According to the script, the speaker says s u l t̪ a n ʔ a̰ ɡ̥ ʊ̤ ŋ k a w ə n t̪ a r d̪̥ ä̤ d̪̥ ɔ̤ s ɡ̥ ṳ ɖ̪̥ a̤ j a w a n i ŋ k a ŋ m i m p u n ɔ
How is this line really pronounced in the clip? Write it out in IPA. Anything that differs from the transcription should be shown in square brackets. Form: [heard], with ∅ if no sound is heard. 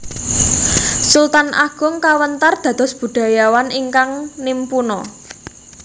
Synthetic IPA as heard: s u l t̪ a n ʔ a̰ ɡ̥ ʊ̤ ŋ k a w ə n t̪ a r d̪̥ ä̤ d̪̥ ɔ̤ s [b̥] ṳ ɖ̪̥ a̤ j a w a n i ŋ k a ŋ [n] i m p u n ɔ